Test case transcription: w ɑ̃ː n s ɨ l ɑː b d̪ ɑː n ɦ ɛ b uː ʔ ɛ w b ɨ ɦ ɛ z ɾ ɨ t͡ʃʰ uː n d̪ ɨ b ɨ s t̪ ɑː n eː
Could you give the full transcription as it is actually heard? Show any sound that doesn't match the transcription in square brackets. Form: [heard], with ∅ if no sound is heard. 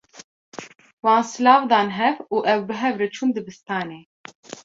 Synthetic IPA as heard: w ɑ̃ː n s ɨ l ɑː [v] d̪ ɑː n ɦ ɛ [v] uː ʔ ɛ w b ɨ ɦ ɛ [v] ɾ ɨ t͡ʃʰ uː n d̪ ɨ b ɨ s t̪ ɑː n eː